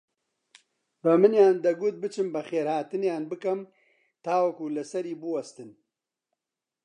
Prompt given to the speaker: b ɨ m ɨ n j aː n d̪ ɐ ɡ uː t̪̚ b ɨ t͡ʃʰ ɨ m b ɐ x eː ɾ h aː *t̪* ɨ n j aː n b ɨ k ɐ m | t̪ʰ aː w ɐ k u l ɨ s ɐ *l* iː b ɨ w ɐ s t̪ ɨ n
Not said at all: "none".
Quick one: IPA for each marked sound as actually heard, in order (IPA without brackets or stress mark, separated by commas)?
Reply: t̪, ɾ